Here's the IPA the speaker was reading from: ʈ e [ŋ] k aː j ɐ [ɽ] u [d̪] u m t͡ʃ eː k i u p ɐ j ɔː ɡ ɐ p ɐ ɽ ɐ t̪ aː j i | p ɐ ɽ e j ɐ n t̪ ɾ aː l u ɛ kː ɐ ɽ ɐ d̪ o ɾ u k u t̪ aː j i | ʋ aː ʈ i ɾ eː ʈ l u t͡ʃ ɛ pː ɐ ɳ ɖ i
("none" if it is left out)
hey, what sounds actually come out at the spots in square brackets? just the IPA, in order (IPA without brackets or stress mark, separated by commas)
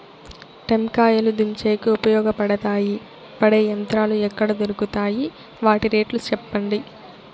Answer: m, l, d̪